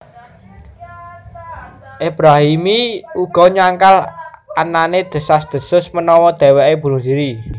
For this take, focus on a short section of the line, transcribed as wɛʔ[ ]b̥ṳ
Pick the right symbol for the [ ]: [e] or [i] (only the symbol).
e